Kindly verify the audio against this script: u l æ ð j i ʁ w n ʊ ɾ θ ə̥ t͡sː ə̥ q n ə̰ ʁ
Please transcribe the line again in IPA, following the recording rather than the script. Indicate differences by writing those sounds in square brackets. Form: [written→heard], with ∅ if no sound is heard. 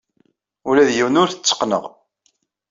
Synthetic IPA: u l æ ð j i [ʁ→∅] w n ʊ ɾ θ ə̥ t͡sː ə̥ q n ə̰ ʁ